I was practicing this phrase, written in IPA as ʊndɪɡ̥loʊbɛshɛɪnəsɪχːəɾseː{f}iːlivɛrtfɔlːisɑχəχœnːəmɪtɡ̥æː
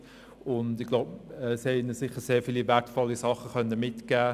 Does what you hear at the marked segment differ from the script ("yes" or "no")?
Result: no